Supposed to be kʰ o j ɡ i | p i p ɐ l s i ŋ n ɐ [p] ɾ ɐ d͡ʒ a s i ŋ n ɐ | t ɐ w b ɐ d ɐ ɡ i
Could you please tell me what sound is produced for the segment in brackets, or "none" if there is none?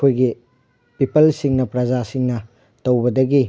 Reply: p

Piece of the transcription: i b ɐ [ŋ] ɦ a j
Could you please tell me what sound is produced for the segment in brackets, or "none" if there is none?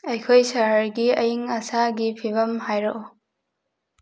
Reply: m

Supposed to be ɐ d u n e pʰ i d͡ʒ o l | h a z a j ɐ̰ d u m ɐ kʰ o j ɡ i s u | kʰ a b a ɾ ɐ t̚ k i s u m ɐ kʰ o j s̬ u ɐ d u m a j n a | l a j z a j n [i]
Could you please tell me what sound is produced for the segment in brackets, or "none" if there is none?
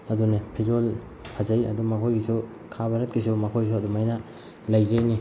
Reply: i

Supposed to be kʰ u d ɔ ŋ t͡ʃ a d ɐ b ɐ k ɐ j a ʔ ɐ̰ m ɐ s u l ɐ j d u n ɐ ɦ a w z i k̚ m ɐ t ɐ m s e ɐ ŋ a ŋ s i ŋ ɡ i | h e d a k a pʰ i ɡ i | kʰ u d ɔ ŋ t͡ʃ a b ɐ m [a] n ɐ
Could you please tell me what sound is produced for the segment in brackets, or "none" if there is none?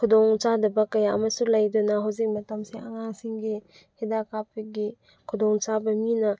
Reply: i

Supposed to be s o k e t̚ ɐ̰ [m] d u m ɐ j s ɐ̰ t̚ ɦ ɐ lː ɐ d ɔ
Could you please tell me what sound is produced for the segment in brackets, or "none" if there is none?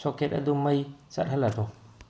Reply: none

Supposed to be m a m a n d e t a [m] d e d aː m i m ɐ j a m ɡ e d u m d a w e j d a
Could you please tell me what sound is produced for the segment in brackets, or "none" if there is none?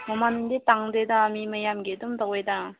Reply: ŋ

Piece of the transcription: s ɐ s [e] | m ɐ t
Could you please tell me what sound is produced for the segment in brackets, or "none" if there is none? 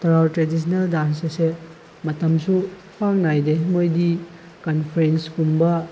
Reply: e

